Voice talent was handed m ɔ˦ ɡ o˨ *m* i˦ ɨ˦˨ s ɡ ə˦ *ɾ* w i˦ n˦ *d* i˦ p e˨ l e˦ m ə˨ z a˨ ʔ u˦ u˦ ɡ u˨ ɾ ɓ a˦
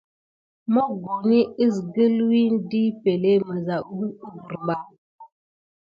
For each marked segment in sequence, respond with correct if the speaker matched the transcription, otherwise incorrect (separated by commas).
incorrect, incorrect, correct